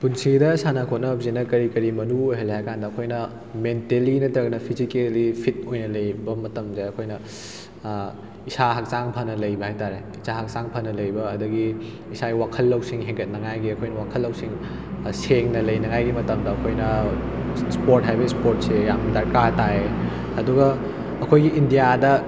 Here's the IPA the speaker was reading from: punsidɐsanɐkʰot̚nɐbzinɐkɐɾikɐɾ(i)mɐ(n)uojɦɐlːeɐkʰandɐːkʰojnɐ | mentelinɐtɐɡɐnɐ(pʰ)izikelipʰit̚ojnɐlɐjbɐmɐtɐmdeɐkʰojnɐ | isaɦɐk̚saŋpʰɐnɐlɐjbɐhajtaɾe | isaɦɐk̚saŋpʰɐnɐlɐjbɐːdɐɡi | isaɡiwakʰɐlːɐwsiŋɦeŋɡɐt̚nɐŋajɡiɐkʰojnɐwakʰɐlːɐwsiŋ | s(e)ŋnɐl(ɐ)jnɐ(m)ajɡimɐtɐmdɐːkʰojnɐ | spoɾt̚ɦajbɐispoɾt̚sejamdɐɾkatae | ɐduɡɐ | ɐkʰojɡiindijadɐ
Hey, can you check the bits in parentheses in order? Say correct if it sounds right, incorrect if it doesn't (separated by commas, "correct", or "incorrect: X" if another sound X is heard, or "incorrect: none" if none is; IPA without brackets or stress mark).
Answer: correct, correct, correct, correct, correct, incorrect: ŋ